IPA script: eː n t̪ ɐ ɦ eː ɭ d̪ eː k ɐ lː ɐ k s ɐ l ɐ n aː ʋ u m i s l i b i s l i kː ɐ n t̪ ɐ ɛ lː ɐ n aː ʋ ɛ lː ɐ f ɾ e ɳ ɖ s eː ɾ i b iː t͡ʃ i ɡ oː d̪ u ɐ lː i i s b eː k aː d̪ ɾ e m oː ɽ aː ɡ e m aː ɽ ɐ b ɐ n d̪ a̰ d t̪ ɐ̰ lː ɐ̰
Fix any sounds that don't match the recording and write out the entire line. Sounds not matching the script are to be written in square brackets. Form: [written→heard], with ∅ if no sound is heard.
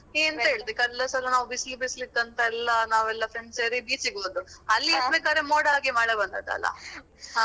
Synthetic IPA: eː n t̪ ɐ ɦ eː ɭ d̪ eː k ɐ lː ɐ [k→∅] s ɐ l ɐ n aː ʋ u [m→b] i s l i b i s l i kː ɐ n t̪ ɐ ɛ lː ɐ n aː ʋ ɛ lː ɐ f ɾ e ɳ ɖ s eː ɾ i b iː t͡ʃ i ɡ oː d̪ u ɐ lː i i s b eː k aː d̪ ɾ e m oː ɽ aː ɡ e m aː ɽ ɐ b ɐ n d̪ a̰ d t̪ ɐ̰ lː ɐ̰

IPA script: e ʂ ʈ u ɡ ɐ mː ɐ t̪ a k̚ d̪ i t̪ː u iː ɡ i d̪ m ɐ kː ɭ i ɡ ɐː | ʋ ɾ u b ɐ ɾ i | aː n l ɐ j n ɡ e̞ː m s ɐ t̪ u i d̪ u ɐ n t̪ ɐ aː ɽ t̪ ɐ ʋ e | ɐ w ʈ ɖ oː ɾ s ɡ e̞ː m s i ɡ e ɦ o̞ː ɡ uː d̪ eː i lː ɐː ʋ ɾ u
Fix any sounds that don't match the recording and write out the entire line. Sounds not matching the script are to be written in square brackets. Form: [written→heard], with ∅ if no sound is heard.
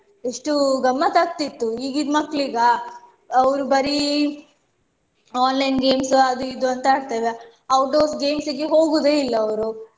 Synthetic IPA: e ʂ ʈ u ɡ ɐ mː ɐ t̪ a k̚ [d̪→t̪] i t̪ː u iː ɡ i d̪ m ɐ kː ɭ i ɡ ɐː | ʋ ɾ u b ɐ ɾ i | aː n l ɐ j n ɡ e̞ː m s ɐ [t̪→d̪] u i d̪ u ɐ n t̪ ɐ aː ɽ t̪ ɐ ʋ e | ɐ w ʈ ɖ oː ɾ s ɡ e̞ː m s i ɡ e ɦ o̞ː ɡ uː d̪ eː i lː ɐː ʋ ɾ u

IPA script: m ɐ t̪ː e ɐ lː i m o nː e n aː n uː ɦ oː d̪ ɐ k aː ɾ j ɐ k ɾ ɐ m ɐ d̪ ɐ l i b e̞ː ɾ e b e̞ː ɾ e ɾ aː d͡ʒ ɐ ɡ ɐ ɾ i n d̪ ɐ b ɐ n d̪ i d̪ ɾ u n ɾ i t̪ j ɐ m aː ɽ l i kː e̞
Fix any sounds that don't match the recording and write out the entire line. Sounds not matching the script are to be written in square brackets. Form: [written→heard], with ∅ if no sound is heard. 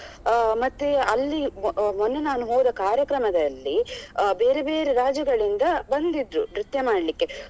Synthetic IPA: m ɐ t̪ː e ɐ lː i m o nː e n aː n [uː→u] ɦ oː d̪ ɐ k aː ɾ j ɐ k ɾ ɐ m ɐ d̪ ɐ [l→lː] i b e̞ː ɾ e b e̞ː ɾ e ɾ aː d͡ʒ ɐ ɡ ɐ [ɾ→ɭ] i n d̪ ɐ b ɐ n d̪ i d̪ ɾ u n ɾ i t̪ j ɐ m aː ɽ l i kː e̞

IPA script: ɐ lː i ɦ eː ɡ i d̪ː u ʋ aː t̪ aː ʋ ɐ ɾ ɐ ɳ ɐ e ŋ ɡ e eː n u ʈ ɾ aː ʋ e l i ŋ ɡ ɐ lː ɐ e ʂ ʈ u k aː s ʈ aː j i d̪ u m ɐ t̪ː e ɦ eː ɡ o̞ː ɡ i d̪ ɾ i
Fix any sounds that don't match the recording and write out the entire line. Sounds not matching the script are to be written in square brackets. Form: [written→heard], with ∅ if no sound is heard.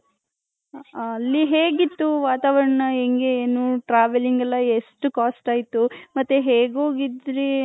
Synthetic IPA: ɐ lː i ɦ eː ɡ i [d̪ː→t̪ː] u ʋ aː t̪ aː ʋ ɐ ɾ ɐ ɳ ɐ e ŋ ɡ e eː n u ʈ ɾ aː ʋ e l i ŋ ɡ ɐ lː ɐ e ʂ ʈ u k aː s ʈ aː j i [d̪→t̪] u m ɐ t̪ː e ɦ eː ɡ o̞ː ɡ i d̪ ɾ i

